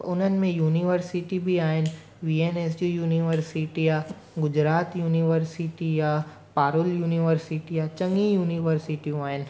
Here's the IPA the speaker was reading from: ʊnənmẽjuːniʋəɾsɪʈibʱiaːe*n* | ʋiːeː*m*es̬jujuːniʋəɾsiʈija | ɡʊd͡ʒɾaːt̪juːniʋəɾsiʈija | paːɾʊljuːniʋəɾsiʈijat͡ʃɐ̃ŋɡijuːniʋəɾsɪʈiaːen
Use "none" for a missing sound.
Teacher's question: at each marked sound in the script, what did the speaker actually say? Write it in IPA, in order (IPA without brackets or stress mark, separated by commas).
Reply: n, n